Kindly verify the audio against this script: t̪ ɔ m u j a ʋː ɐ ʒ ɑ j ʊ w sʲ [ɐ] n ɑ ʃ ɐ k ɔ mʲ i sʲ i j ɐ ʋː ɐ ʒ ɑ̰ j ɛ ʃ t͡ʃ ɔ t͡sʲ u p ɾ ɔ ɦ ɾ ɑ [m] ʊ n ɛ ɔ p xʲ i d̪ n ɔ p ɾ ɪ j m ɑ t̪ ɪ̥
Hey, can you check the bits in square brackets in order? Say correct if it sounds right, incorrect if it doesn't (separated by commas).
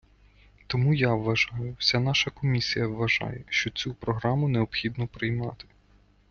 incorrect, correct